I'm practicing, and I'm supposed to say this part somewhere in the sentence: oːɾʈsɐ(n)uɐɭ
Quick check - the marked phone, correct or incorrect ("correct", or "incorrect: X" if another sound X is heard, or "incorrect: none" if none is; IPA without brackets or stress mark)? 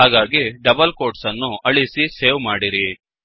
incorrect: nː